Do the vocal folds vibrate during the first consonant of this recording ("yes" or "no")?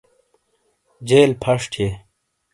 yes